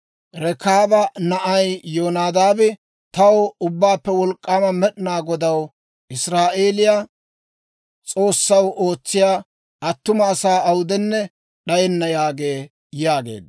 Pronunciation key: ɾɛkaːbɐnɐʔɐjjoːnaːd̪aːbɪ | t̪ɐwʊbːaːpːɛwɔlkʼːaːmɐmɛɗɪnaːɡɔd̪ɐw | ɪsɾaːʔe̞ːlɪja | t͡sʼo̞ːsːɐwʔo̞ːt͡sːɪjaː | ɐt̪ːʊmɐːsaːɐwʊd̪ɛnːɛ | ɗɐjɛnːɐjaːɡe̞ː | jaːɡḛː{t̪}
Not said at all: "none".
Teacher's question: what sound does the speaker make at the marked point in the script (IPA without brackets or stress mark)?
d̪